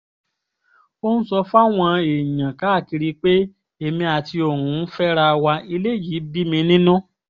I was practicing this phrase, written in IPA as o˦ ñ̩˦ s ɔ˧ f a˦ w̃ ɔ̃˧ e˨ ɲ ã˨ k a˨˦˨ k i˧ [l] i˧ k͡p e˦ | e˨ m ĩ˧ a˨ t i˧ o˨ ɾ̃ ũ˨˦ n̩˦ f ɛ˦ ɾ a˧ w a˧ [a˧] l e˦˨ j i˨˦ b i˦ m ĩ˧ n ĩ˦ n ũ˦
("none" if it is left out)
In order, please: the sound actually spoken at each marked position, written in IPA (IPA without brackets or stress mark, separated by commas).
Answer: ɾ, i˧